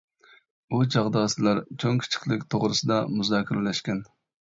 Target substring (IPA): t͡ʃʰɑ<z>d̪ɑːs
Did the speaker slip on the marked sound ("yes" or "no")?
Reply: yes